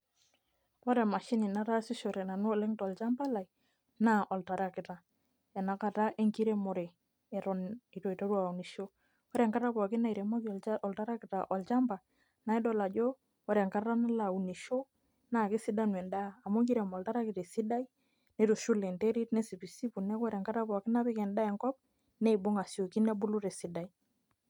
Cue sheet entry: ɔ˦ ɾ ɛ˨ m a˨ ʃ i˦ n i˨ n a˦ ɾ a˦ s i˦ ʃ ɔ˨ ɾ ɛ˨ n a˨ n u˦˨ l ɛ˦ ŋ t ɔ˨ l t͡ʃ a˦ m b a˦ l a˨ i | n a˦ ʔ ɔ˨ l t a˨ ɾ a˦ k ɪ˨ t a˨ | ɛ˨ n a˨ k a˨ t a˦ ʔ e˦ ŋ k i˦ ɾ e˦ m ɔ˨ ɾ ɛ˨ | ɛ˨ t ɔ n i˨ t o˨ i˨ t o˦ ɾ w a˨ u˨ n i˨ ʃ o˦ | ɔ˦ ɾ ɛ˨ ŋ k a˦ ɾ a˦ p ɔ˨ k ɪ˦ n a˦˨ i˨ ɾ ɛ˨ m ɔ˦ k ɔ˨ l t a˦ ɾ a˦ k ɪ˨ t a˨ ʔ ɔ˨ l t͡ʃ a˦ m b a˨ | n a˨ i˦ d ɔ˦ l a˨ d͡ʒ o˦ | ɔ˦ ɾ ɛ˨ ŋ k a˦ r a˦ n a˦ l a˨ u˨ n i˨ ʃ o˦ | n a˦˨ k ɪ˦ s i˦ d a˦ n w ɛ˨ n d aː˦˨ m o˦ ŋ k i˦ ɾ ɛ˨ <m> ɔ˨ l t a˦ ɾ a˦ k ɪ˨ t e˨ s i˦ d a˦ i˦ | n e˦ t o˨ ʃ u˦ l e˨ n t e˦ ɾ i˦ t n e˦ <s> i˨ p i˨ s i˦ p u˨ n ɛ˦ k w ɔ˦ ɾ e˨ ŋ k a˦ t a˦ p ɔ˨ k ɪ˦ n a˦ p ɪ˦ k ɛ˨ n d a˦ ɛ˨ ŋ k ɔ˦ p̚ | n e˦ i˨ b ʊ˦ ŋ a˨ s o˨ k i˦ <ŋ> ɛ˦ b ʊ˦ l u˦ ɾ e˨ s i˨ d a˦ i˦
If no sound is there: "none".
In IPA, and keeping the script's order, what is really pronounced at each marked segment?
m, s, n

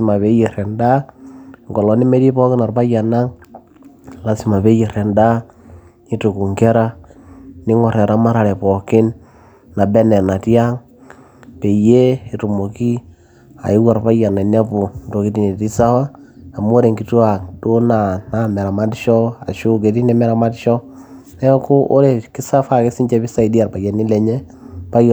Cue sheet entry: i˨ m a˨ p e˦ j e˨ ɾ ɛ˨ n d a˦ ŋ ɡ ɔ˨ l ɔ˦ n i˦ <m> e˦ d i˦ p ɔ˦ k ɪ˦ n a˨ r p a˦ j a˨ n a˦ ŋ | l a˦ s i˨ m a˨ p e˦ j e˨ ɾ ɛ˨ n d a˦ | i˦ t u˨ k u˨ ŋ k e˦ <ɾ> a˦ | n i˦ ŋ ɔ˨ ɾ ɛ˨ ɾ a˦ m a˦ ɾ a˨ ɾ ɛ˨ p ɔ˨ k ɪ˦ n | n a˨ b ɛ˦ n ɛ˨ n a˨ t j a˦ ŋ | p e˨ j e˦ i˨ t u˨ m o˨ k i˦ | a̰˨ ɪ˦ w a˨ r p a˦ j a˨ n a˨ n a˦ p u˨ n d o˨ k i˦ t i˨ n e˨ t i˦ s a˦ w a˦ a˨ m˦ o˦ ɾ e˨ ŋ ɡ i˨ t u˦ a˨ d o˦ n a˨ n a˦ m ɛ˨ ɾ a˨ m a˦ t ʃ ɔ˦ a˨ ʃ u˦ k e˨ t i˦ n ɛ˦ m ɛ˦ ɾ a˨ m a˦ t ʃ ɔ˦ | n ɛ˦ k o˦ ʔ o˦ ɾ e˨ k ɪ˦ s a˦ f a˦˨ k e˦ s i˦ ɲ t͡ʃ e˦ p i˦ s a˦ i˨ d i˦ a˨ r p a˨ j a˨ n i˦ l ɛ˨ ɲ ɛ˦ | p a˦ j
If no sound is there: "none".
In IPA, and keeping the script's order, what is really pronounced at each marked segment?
m, ɾ

